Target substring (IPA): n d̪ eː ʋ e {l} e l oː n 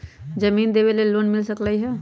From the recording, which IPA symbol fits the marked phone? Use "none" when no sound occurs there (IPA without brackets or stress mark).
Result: l